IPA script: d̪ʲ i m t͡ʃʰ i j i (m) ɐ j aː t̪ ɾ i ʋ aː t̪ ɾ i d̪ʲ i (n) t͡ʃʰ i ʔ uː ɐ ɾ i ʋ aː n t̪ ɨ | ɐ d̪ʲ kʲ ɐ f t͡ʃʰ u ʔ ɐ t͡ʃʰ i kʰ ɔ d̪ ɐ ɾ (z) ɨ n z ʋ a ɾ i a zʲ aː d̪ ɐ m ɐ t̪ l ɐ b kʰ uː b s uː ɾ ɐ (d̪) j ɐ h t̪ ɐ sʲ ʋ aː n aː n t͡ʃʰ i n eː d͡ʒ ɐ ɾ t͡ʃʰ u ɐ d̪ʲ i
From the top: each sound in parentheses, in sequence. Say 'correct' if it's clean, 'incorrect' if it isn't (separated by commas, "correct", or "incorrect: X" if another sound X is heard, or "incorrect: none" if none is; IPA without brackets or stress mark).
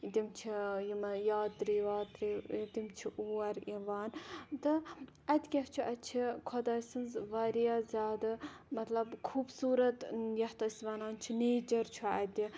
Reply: correct, incorrect: m, incorrect: s, incorrect: t̪